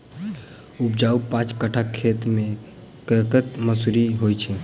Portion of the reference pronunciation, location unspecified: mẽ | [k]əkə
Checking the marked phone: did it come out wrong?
no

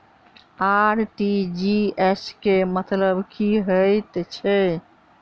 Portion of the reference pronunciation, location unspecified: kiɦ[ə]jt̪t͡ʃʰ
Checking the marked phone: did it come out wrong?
no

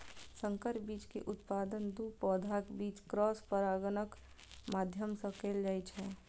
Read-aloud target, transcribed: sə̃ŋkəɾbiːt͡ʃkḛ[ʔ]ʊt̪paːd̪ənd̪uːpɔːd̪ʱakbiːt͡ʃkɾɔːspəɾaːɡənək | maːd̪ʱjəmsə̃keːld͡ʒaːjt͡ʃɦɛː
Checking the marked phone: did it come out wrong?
no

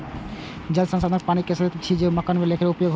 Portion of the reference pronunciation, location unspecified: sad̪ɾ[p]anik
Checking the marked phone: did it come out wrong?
no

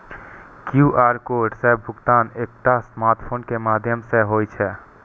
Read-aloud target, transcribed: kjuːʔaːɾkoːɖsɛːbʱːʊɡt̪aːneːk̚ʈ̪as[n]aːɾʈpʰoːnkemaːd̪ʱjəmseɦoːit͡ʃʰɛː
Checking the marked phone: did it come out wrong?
yes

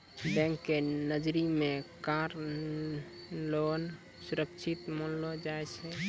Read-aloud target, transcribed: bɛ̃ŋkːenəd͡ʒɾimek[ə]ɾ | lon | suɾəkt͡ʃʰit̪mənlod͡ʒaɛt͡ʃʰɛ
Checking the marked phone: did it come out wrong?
yes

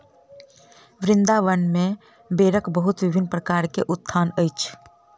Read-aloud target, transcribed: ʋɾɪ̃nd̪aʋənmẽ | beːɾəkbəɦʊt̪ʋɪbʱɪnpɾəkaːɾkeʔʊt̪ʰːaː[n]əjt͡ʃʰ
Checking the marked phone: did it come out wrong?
no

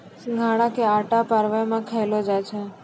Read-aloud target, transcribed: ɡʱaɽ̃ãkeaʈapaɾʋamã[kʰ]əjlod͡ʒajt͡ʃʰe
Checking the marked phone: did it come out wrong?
no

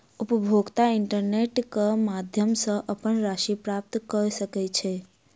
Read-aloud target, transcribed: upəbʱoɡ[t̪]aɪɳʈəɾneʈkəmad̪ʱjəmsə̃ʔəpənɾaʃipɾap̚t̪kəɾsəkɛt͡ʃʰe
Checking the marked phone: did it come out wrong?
no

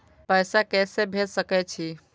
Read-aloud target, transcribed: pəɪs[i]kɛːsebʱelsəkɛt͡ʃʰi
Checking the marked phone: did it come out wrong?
yes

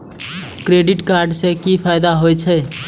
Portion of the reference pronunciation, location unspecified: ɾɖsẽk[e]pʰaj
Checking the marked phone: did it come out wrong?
yes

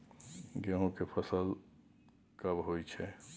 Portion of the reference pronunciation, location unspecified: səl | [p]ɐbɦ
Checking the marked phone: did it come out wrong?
yes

